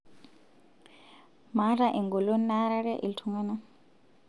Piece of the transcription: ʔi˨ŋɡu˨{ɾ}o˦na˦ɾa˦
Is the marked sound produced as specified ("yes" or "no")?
no